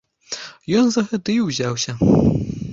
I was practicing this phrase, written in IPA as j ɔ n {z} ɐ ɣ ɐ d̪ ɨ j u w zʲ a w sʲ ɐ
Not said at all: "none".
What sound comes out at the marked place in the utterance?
z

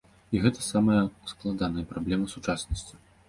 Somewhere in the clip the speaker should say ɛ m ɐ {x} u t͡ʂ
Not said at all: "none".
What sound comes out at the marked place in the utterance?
s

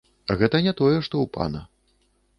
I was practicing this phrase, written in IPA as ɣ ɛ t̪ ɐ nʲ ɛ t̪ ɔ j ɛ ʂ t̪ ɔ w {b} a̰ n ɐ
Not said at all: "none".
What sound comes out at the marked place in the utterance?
p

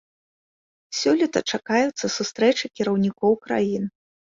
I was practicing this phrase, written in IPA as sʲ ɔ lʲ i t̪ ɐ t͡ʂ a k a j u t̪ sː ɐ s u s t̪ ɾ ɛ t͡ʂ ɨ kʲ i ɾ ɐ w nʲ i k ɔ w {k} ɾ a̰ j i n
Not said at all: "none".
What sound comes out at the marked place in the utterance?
k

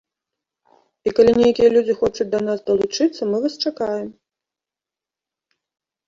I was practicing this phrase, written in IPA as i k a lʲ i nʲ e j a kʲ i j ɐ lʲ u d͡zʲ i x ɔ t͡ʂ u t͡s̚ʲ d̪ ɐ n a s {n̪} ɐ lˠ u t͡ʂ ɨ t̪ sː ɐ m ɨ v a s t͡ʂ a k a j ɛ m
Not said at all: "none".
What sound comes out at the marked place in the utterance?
d̪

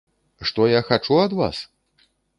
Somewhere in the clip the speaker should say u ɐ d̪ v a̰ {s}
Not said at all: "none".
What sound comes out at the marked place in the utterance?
s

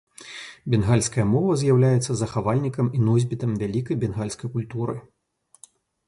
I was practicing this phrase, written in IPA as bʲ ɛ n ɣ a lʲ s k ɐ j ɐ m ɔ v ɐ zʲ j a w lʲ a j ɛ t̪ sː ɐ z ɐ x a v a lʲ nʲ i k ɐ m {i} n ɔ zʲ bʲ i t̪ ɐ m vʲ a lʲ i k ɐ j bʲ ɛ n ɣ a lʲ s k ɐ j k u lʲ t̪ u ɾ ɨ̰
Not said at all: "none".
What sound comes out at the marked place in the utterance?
i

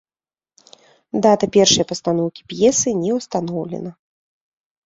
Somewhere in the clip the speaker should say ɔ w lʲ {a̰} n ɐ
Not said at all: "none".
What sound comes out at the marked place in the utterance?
ɛ̰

